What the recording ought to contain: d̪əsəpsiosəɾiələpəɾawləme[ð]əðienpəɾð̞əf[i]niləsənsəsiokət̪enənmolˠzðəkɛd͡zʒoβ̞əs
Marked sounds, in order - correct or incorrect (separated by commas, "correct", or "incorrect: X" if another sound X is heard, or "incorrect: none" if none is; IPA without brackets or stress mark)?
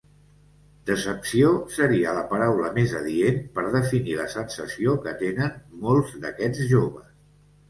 incorrect: z, correct